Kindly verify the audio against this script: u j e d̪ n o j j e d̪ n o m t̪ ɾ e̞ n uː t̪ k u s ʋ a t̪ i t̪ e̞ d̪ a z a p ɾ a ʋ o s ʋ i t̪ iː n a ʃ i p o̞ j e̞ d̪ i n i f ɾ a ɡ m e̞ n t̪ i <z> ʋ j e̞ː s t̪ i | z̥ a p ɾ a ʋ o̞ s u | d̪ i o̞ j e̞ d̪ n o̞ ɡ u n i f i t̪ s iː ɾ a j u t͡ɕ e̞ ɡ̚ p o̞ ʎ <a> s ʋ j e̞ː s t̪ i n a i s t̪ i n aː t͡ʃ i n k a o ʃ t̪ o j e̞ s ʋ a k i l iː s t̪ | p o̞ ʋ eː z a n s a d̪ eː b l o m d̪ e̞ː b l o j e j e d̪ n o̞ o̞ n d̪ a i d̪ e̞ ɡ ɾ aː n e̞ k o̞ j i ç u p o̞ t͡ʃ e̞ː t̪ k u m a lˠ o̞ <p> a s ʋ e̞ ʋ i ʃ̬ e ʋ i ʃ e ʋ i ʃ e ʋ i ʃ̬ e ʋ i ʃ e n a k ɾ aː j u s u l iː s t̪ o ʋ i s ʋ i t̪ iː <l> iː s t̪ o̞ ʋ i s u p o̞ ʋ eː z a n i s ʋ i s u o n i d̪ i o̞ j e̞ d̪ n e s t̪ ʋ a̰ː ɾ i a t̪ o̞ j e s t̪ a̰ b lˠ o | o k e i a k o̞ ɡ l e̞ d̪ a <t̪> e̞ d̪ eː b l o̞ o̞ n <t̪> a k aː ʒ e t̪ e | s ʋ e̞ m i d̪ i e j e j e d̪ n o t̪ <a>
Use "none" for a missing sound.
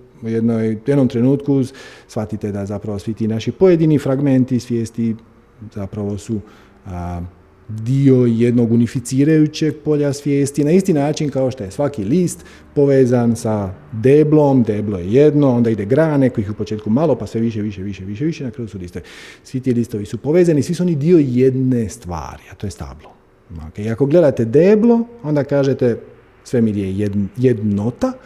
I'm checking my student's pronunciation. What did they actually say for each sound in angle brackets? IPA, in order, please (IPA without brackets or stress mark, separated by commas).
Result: s, a, p, l, t̪, d̪, a